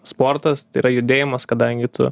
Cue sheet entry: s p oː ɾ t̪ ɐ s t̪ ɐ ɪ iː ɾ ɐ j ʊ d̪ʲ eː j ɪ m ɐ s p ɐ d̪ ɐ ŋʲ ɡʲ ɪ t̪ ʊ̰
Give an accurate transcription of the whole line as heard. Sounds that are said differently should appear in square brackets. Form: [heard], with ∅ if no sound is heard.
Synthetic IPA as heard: s p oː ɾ t̪ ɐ s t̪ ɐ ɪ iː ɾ ɐ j ʊ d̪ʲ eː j ɪ m ɐ s [k] ɐ d̪ ɐ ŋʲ ɡʲ ɪ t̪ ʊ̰